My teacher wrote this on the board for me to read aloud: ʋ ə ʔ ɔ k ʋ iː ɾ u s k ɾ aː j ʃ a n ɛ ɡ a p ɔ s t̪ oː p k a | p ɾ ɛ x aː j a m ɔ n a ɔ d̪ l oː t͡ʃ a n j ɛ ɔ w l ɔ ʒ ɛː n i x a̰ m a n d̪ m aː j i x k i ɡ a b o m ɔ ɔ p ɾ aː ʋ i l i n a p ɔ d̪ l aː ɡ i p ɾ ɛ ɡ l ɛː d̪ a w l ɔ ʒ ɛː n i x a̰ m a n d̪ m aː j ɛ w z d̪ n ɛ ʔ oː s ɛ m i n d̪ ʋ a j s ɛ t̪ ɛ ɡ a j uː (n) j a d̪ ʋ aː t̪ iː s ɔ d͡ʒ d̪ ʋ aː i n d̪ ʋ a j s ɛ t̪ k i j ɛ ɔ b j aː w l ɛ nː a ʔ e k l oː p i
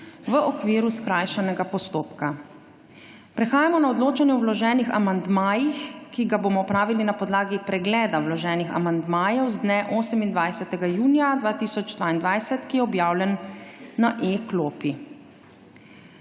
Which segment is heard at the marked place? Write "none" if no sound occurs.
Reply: n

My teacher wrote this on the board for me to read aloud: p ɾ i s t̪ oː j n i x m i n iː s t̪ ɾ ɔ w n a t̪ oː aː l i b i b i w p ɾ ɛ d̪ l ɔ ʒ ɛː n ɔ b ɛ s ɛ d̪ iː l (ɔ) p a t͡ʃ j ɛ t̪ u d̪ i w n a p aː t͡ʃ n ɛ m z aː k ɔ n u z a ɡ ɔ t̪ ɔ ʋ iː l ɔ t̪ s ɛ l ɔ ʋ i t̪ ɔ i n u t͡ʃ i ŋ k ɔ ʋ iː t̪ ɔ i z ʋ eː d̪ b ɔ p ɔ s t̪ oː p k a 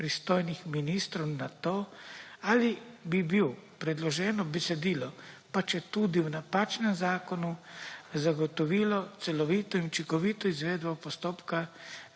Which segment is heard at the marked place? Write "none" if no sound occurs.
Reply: ɔ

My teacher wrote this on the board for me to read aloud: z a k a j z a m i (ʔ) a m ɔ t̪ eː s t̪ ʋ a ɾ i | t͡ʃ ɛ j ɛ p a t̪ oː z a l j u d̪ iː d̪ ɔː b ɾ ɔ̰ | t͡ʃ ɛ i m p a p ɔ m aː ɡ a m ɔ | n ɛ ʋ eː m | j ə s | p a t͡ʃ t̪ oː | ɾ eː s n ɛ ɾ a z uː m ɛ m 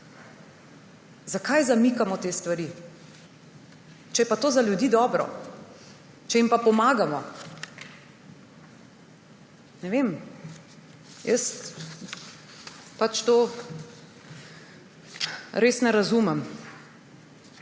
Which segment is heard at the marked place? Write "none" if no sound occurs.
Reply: k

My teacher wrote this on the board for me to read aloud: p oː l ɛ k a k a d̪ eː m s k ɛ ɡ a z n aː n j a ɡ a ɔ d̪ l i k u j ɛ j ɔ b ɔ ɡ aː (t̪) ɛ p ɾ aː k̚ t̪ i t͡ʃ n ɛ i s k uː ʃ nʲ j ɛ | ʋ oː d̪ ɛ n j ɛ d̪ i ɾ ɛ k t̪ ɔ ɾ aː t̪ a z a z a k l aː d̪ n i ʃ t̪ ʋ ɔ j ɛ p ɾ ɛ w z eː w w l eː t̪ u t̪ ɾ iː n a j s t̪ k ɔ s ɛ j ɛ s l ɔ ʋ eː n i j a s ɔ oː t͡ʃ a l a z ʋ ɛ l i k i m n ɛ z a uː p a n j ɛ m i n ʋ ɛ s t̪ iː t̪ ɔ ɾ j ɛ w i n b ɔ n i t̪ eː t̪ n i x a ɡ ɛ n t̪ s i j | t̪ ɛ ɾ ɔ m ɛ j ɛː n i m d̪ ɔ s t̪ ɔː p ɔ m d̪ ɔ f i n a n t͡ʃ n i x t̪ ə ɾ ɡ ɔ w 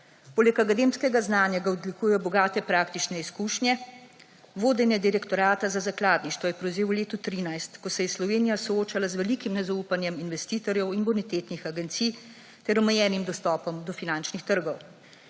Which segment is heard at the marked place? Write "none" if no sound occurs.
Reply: t̪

